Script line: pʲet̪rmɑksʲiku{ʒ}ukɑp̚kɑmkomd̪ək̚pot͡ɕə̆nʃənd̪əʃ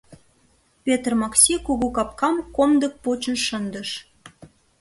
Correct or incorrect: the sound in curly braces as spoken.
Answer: incorrect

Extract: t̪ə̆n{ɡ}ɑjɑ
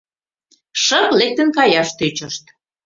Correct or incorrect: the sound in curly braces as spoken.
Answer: incorrect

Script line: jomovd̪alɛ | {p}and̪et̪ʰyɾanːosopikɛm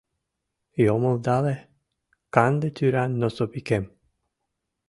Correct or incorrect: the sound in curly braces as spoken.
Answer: incorrect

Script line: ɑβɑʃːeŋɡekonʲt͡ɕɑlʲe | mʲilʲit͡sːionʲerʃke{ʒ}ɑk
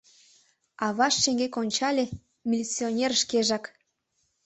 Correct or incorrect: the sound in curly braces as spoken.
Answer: correct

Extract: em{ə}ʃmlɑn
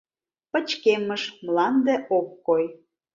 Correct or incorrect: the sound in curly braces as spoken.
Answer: correct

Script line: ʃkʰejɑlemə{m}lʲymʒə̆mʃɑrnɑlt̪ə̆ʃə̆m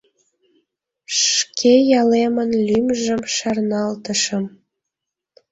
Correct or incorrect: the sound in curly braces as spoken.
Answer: incorrect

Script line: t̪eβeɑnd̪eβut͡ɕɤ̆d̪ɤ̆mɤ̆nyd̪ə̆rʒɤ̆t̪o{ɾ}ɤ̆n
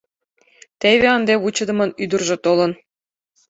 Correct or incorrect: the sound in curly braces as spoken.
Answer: incorrect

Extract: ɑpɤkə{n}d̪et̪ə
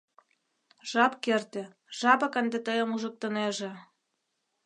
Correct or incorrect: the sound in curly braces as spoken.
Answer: correct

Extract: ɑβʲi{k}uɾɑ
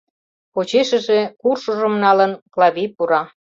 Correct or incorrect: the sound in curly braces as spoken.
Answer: incorrect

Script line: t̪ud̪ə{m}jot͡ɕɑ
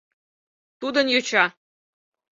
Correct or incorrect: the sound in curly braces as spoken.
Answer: incorrect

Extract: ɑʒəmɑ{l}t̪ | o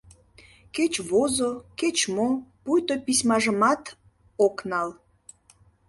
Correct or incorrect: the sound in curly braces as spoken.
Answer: incorrect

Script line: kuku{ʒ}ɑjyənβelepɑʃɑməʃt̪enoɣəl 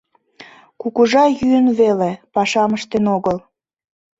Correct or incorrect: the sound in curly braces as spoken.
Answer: correct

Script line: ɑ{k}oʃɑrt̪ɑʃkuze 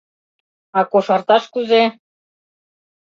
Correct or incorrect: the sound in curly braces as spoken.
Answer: correct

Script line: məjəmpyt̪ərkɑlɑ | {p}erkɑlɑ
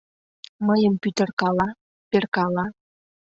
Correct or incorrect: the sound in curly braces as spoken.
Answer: correct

